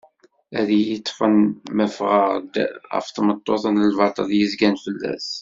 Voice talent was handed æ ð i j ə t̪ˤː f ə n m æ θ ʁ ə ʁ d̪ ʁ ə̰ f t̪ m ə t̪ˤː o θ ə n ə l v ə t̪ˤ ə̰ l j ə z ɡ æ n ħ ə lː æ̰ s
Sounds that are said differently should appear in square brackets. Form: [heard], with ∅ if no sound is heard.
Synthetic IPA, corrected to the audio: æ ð i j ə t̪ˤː f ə n m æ [f] ʁ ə ʁ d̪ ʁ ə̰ f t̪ m ə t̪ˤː o θ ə n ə l v [ɑ] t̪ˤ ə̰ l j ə z ɡ æ n [f] ə lː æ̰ s